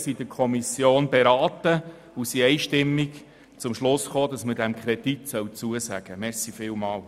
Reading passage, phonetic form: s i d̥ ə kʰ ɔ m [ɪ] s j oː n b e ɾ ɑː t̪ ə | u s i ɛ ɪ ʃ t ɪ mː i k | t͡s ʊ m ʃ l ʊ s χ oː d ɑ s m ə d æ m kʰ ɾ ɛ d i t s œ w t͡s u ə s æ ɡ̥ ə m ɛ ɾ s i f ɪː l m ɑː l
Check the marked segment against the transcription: incorrect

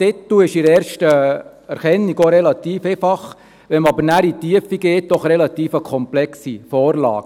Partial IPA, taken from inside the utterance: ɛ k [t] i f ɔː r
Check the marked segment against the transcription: incorrect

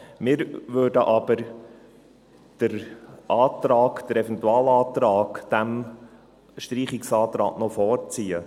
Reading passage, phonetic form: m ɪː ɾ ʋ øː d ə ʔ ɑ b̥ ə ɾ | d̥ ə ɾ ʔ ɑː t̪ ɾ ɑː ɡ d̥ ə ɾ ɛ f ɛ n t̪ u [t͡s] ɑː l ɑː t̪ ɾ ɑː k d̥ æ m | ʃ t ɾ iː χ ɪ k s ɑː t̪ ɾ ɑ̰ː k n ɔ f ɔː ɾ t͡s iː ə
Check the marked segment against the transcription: incorrect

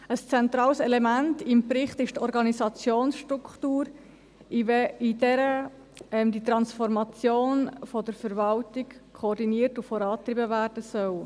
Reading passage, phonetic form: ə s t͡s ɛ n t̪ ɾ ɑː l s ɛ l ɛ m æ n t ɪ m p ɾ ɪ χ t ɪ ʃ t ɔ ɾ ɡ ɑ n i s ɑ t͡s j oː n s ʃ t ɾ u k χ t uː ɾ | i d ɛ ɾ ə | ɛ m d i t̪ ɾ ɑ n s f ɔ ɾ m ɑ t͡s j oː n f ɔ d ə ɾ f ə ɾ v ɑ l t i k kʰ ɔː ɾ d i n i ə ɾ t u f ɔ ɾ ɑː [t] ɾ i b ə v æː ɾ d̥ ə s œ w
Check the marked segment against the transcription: correct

